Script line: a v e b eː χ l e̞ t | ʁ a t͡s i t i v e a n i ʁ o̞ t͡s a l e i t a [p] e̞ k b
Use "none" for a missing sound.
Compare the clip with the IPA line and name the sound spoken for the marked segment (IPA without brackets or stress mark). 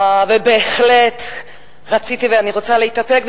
p